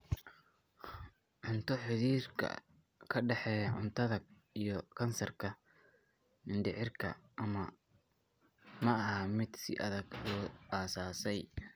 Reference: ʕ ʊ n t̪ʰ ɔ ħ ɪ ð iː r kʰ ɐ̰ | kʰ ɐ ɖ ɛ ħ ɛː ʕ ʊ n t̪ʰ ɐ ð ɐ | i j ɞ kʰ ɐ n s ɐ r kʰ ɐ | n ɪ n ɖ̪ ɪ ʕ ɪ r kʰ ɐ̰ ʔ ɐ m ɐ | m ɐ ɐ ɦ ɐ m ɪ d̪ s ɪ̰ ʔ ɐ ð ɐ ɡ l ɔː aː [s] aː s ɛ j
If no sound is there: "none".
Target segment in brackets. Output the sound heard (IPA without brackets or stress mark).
s